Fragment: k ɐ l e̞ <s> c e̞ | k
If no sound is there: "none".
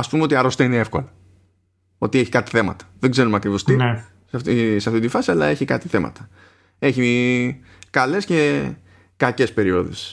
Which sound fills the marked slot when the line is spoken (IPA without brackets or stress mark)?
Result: s